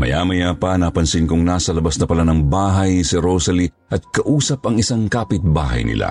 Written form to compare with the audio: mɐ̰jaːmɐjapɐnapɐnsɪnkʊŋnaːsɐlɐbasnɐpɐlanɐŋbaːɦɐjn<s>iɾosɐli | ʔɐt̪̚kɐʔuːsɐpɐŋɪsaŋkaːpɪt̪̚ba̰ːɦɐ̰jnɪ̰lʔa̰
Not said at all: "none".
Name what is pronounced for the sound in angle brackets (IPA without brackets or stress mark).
s